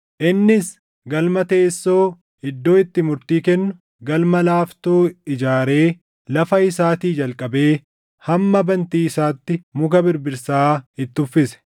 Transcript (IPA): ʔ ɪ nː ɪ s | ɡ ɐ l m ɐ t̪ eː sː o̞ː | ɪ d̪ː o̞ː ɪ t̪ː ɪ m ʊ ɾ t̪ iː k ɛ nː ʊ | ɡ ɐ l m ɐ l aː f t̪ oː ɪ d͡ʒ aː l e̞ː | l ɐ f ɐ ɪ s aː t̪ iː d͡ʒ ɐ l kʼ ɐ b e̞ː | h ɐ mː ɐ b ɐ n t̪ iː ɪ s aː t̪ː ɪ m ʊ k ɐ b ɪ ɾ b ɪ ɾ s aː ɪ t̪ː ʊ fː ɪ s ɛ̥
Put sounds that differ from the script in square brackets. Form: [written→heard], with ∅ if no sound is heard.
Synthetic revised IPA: ʔ ɪ nː ɪ s | ɡ ɐ l m ɐ t̪ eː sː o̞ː | ɪ d̪ː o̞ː ɪ t̪ː ɪ m ʊ ɾ t̪ iː k ɛ nː ʊ | ɡ ɐ l m ɐ l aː f t̪ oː ɪ d͡ʒ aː [l→ɾ] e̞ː | l ɐ f ɐ ɪ s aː t̪ iː d͡ʒ ɐ l kʼ ɐ b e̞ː | h ɐ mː ɐ b ɐ n t̪ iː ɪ s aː t̪ː ɪ m ʊ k ɐ b ɪ ɾ b ɪ ɾ s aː ɪ t̪ː ʊ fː ɪ s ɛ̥